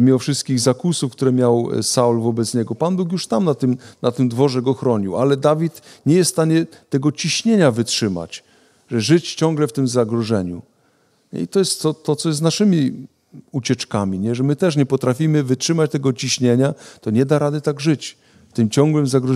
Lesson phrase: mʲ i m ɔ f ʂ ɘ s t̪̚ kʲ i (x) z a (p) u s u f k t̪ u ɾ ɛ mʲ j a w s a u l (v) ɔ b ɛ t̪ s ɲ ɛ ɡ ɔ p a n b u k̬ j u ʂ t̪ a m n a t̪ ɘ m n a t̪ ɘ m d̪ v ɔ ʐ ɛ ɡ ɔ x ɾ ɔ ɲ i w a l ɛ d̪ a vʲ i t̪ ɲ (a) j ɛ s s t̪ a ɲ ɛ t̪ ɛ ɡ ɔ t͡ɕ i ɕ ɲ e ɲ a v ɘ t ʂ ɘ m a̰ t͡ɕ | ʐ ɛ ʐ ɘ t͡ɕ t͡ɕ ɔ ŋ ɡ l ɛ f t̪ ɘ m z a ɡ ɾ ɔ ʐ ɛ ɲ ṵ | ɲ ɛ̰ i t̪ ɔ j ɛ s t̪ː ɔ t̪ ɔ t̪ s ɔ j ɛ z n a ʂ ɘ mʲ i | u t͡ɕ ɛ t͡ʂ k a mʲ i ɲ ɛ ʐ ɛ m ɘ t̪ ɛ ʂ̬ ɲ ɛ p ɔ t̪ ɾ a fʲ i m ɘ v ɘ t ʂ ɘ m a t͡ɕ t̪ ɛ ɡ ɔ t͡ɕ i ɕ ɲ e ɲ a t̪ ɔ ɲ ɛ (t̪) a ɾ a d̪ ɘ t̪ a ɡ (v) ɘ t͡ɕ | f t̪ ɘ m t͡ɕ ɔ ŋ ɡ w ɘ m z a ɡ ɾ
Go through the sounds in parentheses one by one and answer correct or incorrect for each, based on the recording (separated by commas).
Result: incorrect, incorrect, correct, incorrect, incorrect, incorrect